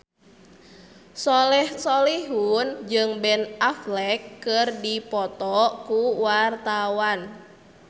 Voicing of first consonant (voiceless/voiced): voiceless